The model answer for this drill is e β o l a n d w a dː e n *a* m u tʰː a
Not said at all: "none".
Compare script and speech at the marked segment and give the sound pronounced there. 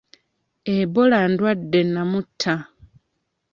a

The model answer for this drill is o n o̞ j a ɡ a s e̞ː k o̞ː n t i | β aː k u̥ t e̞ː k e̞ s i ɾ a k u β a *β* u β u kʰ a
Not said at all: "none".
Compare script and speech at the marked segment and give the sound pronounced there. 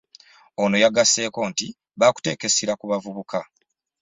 v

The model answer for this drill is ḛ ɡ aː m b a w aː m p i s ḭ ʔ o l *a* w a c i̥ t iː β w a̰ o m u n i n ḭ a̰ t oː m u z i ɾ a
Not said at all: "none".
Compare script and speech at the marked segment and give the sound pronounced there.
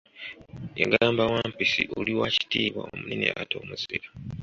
i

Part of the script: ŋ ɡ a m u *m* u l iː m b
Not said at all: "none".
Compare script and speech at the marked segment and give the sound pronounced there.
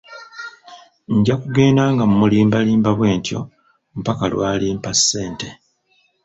m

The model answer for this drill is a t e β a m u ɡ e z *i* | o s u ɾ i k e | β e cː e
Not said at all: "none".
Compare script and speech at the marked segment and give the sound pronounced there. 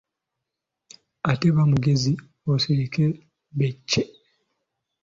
i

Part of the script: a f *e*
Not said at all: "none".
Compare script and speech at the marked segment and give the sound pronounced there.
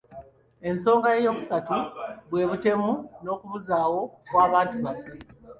e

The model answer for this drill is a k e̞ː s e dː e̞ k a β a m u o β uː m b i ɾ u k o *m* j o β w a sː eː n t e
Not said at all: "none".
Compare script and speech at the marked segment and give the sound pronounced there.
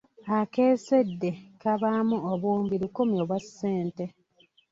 m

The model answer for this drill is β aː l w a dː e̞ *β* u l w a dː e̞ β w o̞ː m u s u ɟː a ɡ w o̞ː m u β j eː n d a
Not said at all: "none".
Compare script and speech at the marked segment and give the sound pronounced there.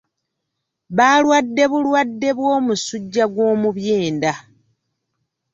β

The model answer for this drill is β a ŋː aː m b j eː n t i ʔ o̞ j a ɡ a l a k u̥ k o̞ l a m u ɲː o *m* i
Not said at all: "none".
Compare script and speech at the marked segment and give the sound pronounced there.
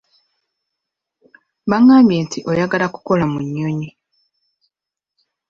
ɲ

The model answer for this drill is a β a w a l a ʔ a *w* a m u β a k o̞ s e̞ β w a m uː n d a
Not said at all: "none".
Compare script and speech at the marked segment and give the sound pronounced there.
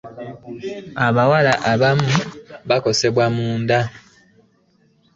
β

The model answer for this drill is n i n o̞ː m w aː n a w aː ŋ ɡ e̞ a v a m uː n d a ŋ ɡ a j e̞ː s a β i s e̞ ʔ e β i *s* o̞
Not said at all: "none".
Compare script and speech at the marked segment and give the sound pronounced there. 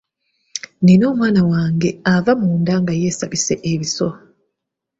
s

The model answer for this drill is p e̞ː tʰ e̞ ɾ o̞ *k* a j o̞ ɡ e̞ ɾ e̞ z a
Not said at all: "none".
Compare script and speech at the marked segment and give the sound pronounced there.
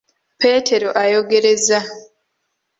ʔ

